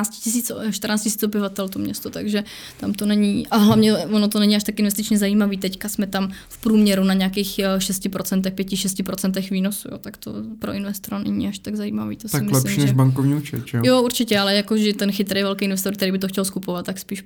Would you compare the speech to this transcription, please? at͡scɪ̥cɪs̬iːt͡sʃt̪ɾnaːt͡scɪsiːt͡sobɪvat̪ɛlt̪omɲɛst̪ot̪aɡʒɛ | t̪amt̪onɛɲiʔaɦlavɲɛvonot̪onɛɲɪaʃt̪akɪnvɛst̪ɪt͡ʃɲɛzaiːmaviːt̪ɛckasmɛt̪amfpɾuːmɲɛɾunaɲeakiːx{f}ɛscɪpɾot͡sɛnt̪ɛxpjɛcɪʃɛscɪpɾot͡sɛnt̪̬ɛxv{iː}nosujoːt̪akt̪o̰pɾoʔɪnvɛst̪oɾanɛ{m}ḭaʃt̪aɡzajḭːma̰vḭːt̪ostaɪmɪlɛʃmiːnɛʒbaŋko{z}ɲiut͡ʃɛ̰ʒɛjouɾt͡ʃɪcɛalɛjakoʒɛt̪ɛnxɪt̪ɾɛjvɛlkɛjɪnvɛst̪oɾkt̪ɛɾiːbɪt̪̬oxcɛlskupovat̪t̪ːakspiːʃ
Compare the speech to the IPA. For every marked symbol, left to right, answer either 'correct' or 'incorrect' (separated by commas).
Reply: incorrect, correct, incorrect, incorrect